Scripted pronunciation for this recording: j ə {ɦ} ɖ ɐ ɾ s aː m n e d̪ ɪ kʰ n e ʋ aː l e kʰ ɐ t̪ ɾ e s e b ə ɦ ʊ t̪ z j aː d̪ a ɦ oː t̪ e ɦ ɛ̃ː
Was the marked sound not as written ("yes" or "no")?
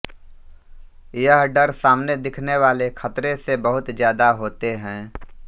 no